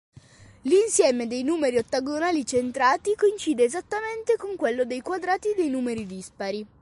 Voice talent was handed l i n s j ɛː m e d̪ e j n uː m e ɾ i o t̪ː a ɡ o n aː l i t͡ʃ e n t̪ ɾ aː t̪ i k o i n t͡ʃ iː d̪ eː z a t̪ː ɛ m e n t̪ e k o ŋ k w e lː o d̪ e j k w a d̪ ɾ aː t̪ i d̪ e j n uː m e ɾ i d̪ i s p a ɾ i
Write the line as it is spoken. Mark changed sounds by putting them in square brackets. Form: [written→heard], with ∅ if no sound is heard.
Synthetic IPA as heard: l i n s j ɛː m e d̪ e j n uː m e ɾ i o t̪ː a ɡ o n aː l i t͡ʃ e n t̪ ɾ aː t̪ i k o i n t͡ʃ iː d̪ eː z a t̪ː [ɛ→a] m e n t̪ e k o ŋ k w e lː o d̪ e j k w a d̪ ɾ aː t̪ i d̪ e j n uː m e ɾ i d̪ i s p a ɾ i